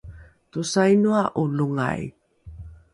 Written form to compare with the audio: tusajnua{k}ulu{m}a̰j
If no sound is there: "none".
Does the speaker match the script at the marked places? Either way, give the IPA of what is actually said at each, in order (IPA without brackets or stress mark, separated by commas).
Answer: ʔ, ŋ